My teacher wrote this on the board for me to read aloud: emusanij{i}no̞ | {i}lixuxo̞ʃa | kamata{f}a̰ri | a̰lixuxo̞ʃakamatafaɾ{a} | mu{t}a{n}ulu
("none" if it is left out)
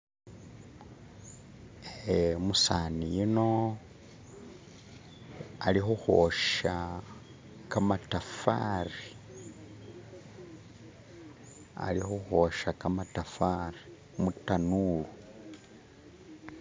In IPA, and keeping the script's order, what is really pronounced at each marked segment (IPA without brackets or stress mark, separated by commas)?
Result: i, a, f, i, t, n